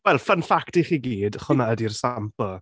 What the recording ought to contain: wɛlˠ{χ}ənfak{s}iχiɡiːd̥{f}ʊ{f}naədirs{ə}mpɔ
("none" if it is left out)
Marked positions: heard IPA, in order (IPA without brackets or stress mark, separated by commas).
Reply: f, t, χ, none, a